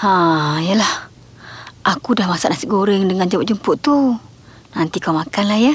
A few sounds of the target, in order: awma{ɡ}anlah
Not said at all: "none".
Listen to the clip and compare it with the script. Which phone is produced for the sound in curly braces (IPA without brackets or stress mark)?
k